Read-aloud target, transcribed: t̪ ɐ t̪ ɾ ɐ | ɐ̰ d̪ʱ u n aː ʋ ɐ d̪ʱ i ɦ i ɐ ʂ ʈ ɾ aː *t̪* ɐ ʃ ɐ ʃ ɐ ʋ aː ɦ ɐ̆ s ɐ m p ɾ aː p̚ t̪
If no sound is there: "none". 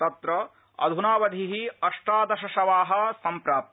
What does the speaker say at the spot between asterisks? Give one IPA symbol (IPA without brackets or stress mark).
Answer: d̪